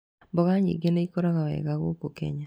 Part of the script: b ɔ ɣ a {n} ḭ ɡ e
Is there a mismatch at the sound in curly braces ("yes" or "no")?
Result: yes